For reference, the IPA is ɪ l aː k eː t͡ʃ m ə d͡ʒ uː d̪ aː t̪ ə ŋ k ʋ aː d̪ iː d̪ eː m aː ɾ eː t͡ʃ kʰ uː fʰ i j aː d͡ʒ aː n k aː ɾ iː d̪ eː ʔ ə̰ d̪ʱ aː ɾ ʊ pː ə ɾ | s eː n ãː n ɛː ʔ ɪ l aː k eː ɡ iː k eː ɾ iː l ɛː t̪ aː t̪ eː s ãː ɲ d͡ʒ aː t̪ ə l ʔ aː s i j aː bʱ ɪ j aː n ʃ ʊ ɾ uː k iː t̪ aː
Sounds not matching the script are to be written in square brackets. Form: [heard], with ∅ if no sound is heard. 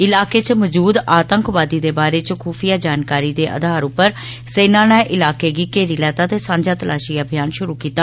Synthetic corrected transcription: ɪ l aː k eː t͡ʃ m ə d͡ʒ uː d̪ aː t̪ ə ŋ k ʋ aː d̪ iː d̪ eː [b] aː ɾ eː t͡ʃ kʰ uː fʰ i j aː d͡ʒ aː n k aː ɾ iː d̪ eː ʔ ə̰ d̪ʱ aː ɾ ʊ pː ə ɾ | s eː n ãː n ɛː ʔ ɪ l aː k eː ɡ iː k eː ɾ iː l ɛː t̪ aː t̪ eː s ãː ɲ d͡ʒ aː t̪ ə l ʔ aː [ʃ] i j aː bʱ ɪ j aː n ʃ ʊ ɾ uː k iː t̪ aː